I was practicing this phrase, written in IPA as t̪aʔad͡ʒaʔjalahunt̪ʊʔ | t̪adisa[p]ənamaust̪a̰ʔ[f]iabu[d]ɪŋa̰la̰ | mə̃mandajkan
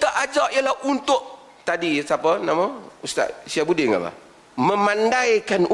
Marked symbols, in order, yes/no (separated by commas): yes, no, yes